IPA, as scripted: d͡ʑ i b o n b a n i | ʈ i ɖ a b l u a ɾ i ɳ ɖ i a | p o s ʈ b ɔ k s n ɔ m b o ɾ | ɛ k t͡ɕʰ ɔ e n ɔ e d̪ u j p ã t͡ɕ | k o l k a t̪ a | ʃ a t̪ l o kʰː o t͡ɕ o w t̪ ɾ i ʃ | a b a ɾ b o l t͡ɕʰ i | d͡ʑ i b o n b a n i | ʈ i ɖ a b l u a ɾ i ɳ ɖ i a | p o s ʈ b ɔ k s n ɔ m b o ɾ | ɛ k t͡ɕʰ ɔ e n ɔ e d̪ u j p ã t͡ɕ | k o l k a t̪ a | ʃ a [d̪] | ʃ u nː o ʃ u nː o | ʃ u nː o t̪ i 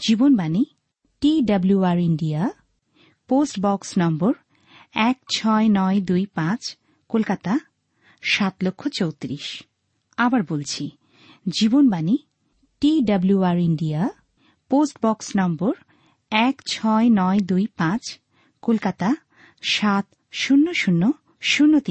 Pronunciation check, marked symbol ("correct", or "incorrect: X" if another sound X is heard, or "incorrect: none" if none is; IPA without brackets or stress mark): incorrect: t̪